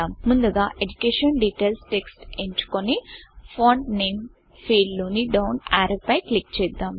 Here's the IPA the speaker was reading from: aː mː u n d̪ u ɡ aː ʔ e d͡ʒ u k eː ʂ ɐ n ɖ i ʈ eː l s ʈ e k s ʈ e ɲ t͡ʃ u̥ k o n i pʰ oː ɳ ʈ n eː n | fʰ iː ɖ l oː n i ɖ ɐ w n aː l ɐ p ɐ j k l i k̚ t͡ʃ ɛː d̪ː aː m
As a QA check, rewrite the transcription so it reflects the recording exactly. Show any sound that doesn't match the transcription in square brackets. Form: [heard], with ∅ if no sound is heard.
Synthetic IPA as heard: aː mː u n d̪ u ɡ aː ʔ e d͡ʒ u k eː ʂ ɐ n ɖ i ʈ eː l s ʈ e k s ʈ e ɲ t͡ʃ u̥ k o n i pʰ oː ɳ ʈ n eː [m] | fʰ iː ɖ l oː n i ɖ ɐ w n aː [ɾ] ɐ p ɐ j k l i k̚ t͡ʃ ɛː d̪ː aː m